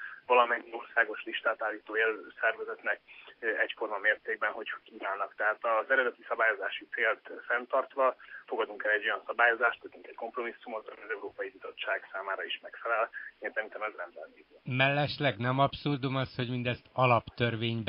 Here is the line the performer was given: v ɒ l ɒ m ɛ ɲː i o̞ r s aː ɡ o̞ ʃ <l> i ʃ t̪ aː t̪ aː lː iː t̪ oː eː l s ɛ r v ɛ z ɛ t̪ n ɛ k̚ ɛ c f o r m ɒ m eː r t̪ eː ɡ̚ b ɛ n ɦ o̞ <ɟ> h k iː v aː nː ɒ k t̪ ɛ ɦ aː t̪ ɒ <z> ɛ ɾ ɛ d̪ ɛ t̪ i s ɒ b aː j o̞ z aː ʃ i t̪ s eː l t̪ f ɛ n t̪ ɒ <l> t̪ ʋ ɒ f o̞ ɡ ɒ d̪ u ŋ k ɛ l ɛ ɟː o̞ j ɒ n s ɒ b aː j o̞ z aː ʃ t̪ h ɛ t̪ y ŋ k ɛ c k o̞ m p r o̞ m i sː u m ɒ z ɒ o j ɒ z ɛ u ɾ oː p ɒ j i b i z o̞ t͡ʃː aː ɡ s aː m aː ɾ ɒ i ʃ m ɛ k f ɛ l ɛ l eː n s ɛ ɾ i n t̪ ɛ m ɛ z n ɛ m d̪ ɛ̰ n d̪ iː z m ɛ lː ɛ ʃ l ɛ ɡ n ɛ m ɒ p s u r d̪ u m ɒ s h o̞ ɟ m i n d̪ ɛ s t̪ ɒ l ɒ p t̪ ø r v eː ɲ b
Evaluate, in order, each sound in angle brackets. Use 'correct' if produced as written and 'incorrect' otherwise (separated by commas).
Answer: correct, incorrect, correct, incorrect